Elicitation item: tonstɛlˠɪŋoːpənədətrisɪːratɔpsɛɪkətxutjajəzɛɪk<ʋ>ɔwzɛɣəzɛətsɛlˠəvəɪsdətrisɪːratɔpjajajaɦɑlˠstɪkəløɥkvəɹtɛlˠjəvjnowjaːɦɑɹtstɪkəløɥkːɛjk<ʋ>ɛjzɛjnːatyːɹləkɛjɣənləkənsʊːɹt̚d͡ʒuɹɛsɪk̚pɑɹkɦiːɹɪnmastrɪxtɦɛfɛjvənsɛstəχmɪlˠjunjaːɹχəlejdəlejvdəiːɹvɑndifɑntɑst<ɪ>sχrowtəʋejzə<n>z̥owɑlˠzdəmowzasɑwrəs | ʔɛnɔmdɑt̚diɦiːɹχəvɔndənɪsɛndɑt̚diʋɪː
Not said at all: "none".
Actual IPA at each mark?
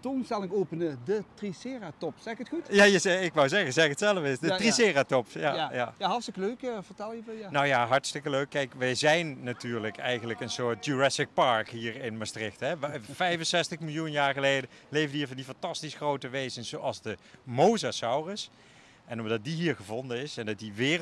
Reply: ʋ, ʋ, i, n

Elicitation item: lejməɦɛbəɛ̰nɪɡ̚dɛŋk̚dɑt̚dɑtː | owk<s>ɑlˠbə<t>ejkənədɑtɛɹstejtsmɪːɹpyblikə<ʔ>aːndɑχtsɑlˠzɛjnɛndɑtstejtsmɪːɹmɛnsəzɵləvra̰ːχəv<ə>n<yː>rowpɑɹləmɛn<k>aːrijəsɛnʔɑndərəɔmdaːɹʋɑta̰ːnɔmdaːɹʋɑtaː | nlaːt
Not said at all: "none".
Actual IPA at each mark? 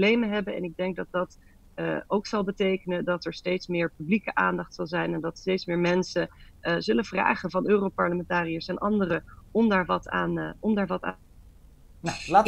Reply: s, t, ʔ, ɑ, øː, t

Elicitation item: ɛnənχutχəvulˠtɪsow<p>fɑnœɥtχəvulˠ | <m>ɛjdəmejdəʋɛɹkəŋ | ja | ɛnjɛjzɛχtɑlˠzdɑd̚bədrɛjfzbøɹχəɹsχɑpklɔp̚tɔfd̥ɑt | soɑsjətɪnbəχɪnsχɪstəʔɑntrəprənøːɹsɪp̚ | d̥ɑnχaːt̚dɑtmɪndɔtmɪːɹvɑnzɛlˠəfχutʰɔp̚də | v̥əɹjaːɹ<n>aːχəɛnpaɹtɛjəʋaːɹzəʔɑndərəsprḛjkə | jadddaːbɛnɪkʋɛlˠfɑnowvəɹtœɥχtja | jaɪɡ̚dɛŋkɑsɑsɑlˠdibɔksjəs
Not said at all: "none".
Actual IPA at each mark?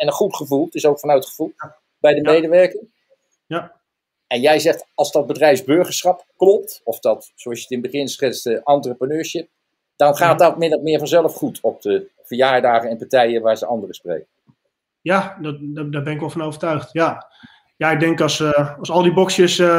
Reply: k, b, d

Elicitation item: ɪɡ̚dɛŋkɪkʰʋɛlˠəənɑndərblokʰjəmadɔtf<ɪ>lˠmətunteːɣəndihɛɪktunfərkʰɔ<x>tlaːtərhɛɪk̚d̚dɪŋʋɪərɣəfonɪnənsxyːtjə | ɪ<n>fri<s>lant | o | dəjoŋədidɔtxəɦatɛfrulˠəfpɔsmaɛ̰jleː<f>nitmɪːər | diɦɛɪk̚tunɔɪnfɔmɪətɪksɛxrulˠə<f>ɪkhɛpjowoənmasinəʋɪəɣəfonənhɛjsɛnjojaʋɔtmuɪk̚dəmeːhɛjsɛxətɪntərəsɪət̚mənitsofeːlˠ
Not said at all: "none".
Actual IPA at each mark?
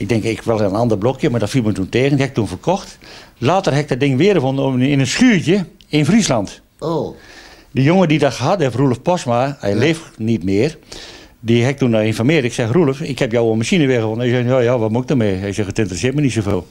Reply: i, x, n, s, f, f

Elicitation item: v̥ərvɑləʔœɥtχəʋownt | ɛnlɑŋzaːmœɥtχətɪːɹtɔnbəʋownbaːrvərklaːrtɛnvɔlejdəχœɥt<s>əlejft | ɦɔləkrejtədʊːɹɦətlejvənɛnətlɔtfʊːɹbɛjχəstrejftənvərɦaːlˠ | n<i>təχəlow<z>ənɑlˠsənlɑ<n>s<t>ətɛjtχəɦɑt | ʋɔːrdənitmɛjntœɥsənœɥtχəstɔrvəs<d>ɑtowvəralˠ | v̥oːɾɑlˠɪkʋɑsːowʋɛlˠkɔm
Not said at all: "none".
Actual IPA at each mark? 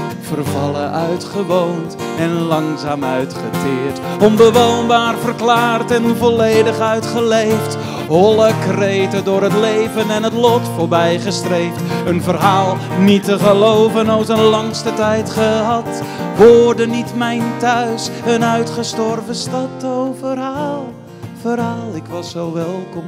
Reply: χ, i, v, ŋ, t, t

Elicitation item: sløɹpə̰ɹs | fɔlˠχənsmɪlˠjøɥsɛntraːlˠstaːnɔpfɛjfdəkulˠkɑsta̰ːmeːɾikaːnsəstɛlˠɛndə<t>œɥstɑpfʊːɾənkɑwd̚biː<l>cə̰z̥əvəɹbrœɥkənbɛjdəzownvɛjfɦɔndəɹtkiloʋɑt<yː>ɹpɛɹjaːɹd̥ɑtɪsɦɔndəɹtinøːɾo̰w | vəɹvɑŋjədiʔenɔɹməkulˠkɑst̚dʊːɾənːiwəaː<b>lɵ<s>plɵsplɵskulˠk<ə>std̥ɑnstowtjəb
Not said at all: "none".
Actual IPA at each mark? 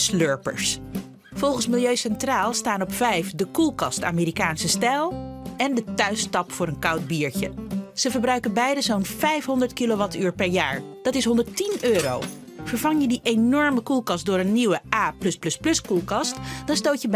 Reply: t, ɹ, yː, p, s, ɑ

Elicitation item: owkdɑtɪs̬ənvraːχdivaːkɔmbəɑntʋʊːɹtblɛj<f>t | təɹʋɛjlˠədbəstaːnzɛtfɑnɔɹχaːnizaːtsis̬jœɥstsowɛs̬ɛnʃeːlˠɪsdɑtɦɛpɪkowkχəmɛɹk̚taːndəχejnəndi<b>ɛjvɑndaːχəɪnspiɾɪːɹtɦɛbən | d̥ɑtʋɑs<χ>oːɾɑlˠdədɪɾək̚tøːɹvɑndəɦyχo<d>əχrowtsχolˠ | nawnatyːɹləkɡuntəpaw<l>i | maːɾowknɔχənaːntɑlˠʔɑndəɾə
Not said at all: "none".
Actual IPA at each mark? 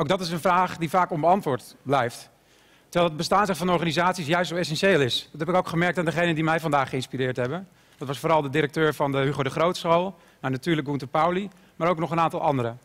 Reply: f, m, f, d, l

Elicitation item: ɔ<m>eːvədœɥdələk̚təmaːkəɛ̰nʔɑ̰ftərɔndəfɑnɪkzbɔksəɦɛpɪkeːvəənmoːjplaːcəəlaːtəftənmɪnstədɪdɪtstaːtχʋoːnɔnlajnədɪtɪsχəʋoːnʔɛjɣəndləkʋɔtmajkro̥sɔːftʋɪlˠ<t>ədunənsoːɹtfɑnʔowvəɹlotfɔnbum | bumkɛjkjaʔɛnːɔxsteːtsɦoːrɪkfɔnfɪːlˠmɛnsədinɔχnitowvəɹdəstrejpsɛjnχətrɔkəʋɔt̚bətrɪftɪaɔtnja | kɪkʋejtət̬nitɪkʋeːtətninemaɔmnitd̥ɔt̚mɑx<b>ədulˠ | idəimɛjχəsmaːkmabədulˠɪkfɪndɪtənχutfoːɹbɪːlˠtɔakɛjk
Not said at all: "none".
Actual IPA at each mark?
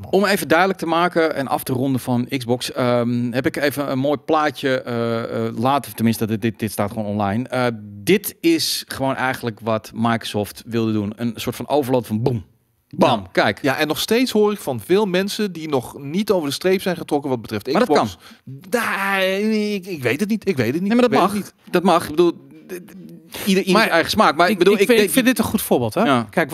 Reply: m, d, b

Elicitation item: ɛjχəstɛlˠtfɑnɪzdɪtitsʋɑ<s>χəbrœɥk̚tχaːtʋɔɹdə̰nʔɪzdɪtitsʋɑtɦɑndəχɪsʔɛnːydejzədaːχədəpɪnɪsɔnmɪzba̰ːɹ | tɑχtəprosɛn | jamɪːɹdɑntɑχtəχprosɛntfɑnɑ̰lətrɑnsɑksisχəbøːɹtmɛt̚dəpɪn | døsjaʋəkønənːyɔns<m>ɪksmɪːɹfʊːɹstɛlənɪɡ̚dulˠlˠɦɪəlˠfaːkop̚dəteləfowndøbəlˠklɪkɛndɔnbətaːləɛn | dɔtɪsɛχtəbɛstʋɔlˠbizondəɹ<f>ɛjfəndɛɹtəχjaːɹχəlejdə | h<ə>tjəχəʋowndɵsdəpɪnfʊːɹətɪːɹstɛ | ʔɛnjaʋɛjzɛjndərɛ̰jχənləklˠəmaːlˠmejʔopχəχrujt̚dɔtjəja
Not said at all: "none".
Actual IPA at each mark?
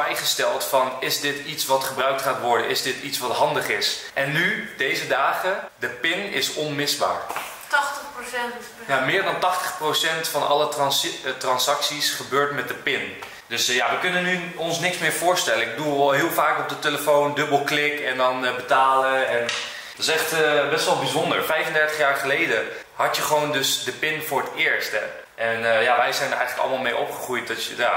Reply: t, n, f, ɑ

